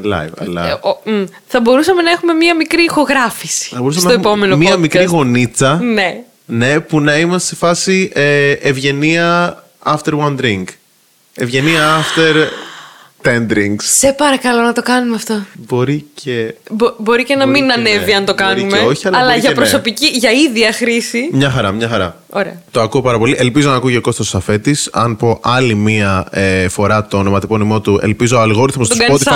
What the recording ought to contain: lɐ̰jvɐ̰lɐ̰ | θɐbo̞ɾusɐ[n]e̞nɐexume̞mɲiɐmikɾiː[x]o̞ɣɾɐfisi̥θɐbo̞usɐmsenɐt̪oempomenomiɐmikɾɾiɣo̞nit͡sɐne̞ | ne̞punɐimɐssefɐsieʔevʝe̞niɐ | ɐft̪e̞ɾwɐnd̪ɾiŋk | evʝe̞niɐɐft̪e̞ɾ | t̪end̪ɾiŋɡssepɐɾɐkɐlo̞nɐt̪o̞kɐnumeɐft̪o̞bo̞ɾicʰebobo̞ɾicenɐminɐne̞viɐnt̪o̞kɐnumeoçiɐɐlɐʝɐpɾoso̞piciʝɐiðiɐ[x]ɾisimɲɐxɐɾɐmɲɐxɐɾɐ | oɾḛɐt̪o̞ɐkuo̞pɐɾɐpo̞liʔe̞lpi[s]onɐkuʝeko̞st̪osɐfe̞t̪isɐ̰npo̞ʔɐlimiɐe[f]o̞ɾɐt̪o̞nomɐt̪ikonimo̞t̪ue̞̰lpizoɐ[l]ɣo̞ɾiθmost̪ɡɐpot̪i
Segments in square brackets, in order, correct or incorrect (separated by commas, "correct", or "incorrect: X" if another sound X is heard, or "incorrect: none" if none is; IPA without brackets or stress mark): incorrect: m, correct, correct, incorrect: z, correct, correct